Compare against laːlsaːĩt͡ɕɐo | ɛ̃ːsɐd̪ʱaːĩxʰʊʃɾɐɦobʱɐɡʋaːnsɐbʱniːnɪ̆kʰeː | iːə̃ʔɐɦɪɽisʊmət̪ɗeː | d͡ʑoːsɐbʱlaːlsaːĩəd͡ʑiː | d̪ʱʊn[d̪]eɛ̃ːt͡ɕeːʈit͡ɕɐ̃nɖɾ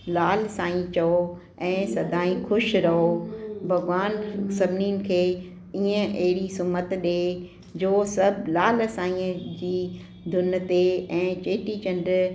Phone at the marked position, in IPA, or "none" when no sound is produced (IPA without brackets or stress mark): t̪